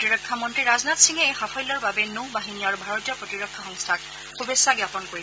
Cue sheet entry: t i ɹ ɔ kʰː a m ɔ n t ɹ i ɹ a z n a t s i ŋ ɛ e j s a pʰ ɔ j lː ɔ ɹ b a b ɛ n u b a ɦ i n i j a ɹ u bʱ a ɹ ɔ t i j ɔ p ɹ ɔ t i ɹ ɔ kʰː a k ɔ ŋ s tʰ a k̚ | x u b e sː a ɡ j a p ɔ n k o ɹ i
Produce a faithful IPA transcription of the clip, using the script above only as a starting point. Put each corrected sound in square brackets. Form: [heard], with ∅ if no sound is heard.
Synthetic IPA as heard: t i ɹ ɔ kʰː a m ɔ n t ɹ i ɹ a z n a t s i ŋ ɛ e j [x] a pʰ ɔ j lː ɔ ɹ b a b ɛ n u b a ɦ i n i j a ɹ u bʱ a ɹ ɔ t i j ɔ p ɹ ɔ t i ɹ ɔ kʰː a [x] ɔ ŋ s tʰ a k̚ | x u b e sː a ɡ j a p ɔ n k o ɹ i